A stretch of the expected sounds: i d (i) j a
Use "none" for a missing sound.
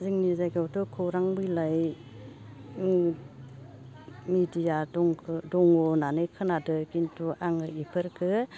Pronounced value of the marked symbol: i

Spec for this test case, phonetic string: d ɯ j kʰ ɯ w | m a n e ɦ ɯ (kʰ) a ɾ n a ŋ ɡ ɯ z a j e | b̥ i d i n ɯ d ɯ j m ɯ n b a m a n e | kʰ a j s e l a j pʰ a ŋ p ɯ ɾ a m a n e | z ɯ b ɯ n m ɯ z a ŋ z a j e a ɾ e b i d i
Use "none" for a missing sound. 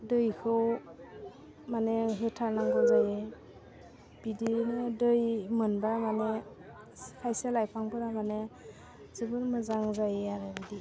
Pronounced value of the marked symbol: tʰ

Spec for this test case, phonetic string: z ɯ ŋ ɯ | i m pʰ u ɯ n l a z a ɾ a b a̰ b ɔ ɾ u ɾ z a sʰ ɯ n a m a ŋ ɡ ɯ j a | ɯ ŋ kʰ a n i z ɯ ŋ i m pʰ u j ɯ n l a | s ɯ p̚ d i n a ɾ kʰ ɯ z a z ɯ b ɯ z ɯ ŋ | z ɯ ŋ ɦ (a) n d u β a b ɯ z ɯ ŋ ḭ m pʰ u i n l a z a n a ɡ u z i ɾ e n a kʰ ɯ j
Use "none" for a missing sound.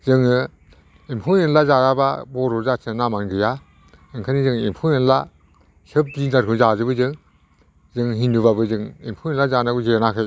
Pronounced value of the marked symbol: i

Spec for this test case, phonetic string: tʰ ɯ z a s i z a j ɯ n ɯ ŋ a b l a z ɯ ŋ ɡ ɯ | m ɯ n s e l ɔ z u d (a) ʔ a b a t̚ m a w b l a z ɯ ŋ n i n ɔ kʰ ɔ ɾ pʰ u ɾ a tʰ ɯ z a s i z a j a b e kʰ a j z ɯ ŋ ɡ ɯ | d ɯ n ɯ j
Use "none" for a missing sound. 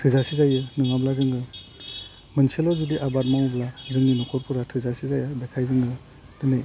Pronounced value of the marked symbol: i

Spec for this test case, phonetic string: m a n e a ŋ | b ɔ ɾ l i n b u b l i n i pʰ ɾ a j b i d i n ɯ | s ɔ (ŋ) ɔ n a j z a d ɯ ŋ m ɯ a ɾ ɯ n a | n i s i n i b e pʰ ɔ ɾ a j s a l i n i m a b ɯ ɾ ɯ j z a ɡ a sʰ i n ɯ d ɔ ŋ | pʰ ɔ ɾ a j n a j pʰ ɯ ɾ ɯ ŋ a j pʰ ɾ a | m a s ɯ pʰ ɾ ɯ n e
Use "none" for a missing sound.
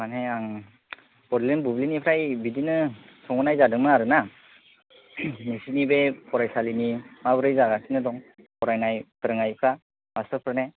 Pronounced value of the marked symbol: ŋ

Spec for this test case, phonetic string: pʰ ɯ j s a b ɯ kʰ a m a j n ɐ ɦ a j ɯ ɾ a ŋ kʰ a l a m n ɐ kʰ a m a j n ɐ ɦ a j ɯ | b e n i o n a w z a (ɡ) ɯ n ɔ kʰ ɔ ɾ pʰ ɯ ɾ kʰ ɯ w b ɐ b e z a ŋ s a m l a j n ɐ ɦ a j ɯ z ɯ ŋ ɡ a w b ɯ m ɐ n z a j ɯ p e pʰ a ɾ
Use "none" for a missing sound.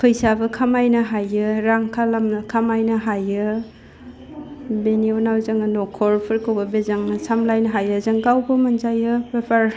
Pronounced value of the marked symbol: ŋ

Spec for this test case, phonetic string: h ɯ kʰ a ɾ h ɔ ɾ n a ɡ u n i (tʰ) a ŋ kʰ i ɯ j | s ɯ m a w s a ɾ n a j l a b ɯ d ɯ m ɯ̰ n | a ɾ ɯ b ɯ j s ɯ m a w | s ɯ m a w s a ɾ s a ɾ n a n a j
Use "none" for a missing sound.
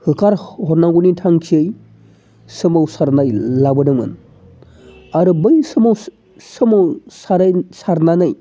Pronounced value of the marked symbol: tʰ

